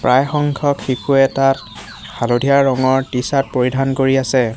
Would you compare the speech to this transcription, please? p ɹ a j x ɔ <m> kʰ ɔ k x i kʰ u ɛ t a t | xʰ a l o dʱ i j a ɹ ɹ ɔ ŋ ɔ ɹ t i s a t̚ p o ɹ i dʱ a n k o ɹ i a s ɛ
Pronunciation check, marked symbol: incorrect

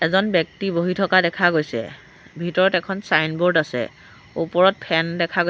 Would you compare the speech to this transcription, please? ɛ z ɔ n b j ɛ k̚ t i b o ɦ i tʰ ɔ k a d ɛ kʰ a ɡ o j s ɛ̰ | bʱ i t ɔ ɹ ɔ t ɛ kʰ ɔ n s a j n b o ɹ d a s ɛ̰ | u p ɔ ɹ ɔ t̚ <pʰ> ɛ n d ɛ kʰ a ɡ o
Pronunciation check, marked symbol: correct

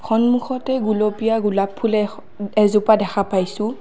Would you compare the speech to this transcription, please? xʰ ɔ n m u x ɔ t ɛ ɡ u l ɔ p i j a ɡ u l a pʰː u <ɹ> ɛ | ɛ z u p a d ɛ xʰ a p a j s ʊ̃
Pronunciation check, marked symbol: incorrect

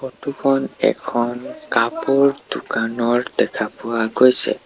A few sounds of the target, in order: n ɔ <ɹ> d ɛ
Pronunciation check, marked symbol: correct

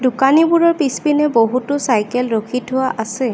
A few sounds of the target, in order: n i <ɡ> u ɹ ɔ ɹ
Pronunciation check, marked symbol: incorrect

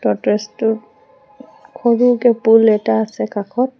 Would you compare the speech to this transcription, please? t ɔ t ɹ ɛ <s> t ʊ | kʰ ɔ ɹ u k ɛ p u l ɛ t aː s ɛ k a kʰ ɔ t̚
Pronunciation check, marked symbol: correct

